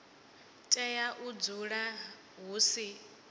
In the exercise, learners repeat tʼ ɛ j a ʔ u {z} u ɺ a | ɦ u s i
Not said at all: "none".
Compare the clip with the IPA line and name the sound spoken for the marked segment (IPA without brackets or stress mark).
d͡z